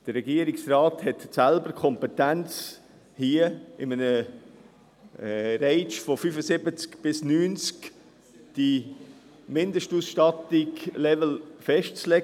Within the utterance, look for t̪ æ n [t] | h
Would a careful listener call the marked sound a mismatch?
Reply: yes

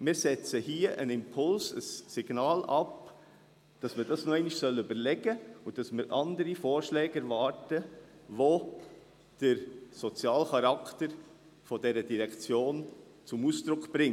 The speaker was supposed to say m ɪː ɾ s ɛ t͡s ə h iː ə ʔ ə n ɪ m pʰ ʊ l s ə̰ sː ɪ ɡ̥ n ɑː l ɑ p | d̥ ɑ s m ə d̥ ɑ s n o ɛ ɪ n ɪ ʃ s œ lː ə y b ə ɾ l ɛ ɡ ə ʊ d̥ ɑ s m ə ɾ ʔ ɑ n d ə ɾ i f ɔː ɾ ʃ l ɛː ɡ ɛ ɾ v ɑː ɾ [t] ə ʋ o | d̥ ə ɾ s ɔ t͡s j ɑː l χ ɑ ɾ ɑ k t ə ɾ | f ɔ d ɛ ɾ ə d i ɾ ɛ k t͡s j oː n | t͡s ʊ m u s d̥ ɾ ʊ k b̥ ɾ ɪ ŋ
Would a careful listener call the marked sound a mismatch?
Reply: no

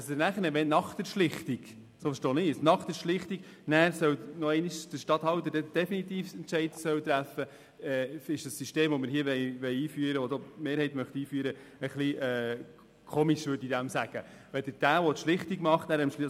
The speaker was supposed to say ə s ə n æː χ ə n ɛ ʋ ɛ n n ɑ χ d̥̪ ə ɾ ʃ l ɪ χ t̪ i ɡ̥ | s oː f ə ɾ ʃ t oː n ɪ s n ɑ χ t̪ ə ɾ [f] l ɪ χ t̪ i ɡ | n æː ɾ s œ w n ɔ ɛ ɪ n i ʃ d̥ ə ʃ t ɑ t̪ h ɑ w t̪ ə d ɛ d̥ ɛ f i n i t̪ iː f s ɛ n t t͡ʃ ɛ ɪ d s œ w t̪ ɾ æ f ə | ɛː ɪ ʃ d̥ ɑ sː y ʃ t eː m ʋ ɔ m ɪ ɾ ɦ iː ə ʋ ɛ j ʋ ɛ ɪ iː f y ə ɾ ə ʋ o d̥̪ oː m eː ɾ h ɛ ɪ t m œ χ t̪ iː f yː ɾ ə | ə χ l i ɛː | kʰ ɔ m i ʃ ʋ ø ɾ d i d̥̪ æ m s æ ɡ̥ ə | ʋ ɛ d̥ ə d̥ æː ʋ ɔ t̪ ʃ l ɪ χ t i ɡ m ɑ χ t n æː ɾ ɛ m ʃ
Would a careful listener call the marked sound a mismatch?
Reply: yes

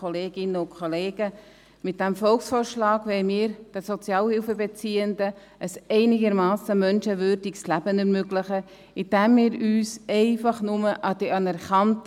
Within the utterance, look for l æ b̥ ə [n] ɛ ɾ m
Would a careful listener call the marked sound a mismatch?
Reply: no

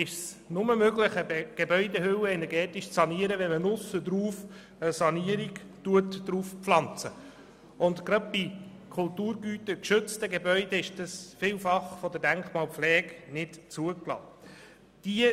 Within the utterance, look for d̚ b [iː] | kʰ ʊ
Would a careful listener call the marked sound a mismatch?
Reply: yes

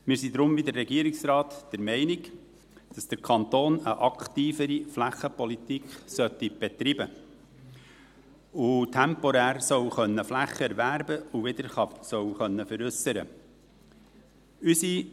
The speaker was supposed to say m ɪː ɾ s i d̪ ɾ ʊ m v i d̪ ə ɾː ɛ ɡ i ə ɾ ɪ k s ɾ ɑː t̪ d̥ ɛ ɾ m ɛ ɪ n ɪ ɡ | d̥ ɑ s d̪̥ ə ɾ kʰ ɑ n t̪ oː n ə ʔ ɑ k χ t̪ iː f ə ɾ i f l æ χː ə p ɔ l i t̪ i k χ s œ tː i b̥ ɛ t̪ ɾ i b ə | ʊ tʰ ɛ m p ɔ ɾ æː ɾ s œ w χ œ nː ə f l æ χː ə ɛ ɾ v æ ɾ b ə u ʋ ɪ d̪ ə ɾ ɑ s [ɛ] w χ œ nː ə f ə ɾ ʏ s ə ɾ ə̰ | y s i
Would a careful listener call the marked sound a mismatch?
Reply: yes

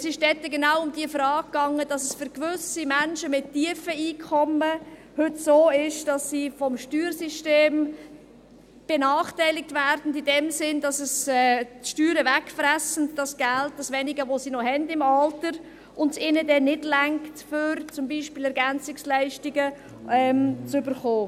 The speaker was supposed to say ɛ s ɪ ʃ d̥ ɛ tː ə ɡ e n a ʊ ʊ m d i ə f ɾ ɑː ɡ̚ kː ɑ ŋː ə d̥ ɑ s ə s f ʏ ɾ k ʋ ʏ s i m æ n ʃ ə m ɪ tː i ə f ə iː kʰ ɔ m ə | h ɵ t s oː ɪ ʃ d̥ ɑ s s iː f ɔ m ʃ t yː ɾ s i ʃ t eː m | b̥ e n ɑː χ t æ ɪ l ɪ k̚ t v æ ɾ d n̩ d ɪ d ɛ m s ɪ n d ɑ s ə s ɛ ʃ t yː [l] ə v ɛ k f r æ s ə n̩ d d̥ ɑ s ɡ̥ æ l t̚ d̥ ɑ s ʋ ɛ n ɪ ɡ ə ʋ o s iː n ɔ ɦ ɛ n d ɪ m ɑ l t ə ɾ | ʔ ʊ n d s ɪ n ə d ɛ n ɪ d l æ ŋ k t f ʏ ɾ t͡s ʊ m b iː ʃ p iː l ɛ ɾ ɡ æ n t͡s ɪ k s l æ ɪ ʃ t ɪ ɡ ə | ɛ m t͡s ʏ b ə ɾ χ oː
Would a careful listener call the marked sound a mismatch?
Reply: yes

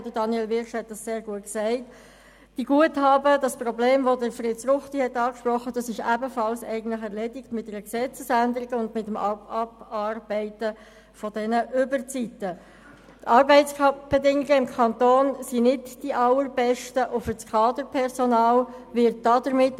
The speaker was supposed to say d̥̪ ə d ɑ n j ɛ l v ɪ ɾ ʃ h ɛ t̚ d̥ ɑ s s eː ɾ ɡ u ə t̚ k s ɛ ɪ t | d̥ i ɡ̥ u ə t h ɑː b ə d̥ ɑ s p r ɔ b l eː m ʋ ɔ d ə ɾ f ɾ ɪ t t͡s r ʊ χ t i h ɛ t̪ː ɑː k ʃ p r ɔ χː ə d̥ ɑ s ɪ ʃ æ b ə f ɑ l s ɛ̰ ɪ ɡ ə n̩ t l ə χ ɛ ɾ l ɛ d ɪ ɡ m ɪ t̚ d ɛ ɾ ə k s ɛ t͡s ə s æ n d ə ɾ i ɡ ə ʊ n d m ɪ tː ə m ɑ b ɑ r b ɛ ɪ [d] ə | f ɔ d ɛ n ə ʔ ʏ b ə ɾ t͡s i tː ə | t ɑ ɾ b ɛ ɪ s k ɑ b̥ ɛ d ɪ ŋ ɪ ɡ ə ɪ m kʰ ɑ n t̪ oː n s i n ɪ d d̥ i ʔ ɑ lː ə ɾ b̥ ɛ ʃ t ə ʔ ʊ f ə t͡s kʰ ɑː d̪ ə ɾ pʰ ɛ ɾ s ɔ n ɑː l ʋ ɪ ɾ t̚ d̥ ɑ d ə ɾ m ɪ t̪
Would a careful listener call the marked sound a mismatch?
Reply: yes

